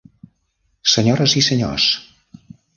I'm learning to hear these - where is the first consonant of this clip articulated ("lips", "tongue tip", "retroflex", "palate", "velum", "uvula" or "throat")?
tongue tip